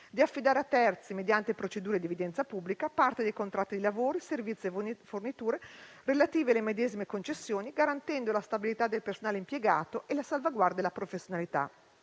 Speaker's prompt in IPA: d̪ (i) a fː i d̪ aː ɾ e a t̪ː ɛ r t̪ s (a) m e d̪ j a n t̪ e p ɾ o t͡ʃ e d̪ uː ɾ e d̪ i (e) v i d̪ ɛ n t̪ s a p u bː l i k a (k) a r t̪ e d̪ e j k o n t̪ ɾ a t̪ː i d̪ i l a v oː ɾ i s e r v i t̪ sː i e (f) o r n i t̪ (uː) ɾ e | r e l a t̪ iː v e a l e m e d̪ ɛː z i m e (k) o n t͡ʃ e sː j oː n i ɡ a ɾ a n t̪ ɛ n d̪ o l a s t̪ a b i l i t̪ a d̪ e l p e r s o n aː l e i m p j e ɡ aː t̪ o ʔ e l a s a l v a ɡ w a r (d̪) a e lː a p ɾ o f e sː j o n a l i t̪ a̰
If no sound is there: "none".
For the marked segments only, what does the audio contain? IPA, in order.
i, i, e, p, f, uː, k, d̪

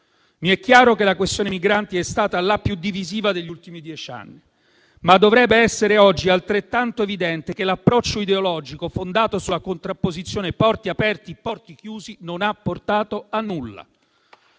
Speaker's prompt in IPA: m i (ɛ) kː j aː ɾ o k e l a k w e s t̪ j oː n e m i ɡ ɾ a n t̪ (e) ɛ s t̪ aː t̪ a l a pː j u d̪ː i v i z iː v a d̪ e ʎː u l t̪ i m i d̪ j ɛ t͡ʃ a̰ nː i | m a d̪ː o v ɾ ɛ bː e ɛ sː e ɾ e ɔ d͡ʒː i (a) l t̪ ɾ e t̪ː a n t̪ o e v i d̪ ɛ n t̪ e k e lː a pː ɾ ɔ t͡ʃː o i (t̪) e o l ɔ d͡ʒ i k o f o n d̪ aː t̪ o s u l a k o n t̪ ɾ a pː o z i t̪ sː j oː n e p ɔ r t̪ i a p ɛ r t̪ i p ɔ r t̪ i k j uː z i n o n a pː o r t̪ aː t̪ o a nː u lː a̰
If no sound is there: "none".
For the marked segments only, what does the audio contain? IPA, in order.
ɛ, i, a, d̪

